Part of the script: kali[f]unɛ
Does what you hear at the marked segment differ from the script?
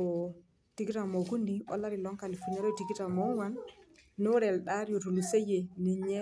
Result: no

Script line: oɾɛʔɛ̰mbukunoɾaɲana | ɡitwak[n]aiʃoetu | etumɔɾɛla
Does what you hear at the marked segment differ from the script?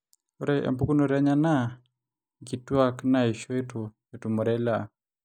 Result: no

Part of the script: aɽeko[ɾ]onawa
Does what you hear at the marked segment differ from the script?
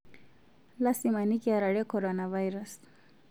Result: no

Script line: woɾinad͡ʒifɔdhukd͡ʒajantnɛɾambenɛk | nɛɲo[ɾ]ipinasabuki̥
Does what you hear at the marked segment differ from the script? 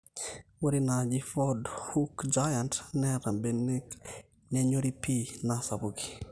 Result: no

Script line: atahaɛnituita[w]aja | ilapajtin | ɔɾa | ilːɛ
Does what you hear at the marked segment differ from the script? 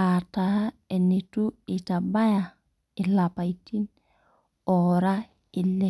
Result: yes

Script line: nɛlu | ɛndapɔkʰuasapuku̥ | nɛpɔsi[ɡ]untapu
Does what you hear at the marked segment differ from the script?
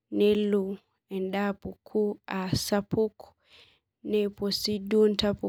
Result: yes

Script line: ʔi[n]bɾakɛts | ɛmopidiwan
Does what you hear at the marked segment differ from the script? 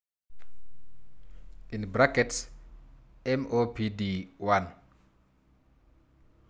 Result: no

